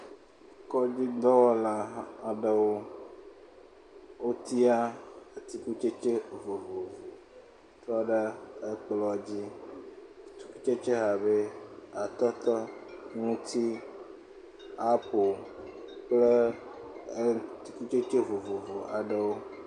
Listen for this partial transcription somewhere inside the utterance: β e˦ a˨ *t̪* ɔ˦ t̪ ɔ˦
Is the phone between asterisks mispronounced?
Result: no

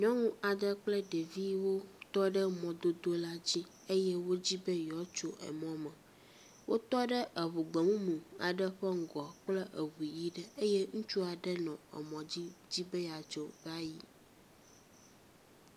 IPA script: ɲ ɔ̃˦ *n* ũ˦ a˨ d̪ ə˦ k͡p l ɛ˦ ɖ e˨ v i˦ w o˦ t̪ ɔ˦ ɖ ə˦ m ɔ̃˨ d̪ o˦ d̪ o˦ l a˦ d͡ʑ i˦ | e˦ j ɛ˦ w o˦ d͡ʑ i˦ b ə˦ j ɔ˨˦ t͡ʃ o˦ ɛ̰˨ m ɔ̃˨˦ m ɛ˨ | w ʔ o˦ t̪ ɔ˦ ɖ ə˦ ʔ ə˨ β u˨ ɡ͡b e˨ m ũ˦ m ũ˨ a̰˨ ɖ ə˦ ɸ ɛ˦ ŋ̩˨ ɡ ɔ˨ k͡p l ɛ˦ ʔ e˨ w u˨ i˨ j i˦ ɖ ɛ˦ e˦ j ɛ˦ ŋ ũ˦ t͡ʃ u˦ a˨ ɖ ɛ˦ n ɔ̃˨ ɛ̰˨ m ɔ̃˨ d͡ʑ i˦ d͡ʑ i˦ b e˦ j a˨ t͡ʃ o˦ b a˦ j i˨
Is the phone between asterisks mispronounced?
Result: yes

